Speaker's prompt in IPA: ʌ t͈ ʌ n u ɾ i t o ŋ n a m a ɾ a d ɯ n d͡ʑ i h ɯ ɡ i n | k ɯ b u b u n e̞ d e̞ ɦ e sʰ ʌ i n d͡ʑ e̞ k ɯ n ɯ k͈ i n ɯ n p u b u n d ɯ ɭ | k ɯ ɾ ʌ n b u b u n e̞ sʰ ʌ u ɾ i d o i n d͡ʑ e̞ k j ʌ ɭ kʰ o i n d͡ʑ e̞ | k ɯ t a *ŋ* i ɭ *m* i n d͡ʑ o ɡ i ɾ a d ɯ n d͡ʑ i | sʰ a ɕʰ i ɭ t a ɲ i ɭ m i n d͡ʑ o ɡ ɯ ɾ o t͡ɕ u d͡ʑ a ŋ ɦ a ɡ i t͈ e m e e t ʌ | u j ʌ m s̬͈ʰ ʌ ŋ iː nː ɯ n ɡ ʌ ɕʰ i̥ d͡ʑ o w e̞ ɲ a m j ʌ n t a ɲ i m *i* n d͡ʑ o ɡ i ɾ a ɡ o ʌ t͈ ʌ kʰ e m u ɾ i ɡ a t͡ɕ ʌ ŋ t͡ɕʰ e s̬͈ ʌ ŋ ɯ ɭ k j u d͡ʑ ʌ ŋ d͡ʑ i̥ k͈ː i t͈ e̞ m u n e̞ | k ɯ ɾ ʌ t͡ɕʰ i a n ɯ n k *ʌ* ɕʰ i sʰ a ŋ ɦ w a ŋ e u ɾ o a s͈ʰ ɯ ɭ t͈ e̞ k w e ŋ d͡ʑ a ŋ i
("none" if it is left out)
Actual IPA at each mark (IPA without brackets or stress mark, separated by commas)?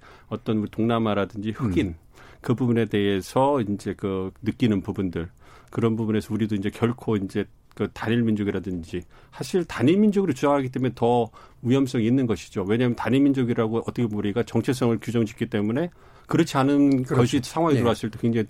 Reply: ɲ, m, i, ʌ